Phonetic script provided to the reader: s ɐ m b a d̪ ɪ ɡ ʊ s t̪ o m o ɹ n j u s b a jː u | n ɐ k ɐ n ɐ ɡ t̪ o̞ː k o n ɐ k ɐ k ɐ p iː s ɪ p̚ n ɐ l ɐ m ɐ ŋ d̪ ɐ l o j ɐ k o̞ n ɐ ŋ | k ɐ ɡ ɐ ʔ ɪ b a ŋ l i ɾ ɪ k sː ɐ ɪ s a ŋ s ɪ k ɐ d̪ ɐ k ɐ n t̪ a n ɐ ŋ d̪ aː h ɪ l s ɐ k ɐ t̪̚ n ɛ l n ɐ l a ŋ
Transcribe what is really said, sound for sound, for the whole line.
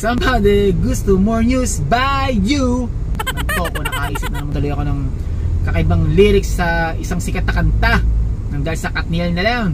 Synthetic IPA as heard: s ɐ m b a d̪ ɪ ɡ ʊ s t̪ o m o ɹ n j u s b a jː u | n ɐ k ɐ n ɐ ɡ t̪ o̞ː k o n ɐ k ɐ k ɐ ʔ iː s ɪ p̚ n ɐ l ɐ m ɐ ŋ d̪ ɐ l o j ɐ k o̞ n ɐ ŋ | k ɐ k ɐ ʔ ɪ b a ŋ l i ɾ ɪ k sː ɐ ɪ s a ŋ s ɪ k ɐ t̪ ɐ k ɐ n t̪ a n ɐ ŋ d̪ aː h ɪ l s ɐ k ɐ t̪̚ n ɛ l n ɐ l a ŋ